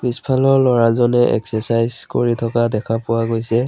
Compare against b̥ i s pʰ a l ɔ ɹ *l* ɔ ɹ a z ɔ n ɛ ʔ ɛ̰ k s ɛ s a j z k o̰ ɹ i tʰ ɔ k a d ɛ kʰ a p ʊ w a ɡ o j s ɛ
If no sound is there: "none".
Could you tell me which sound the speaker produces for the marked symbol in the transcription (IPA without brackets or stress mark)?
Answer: l